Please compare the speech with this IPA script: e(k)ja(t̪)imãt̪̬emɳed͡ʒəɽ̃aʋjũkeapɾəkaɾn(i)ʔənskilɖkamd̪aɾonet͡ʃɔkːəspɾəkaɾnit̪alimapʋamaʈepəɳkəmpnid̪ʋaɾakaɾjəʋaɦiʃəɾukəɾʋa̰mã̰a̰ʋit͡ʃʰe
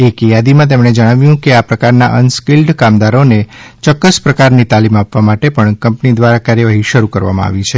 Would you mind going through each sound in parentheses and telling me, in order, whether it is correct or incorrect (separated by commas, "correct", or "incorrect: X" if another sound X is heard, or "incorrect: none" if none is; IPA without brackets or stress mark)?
correct, incorrect: d̪, incorrect: a